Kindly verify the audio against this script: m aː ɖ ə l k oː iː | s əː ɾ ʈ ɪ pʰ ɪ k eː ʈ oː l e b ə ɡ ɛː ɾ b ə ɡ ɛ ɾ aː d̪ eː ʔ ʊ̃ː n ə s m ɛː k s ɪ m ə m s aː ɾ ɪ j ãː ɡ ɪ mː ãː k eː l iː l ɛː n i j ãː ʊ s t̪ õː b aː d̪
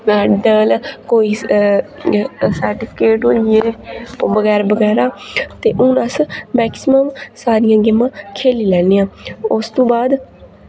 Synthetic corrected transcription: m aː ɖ ə l k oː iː | s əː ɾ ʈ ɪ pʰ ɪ k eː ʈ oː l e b ə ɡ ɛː ɾ b ə ɡ ɛː ɾ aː t̪ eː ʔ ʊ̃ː n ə s m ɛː k s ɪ m ə m s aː ɾ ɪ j ãː ɡ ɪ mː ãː kʰ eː l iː l ɛː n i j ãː ʊ s t̪ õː b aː d̪